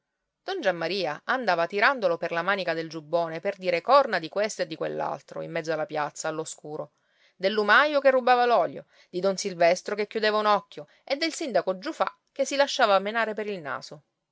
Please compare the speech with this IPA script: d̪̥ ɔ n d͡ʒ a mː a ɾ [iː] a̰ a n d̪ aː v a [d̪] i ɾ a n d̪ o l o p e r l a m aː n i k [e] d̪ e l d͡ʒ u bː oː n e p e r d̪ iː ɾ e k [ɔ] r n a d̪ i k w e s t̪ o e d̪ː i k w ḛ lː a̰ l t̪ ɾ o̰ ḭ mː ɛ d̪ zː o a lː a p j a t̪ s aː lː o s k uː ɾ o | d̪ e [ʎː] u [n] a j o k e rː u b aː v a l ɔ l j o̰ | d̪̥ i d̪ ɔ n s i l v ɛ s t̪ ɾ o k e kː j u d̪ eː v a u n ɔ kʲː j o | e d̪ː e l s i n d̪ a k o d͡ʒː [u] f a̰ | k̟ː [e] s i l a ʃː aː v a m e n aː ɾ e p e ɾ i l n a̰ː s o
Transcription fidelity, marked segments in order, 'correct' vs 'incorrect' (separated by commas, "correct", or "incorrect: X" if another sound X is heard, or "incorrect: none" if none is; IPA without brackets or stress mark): correct, incorrect: t̪, incorrect: a, correct, incorrect: lː, incorrect: m, correct, correct